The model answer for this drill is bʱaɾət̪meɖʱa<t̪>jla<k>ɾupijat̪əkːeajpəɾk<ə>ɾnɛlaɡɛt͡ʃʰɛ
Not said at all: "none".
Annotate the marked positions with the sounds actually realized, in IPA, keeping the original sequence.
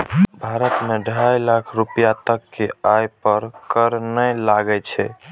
none, kʰ, ə

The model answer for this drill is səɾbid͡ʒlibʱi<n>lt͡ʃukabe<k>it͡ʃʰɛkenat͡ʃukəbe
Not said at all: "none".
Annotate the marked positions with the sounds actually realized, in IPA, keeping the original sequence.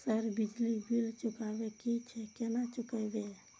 none, k

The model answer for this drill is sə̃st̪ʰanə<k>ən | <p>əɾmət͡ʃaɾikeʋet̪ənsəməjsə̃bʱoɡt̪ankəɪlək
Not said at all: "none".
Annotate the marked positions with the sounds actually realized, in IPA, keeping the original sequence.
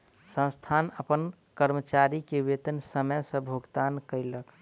p, k

